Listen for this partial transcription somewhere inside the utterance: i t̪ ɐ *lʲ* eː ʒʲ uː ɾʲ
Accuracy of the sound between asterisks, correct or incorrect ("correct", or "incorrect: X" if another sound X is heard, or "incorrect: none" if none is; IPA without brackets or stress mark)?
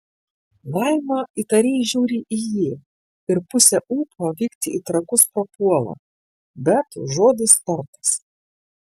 incorrect: ɾʲ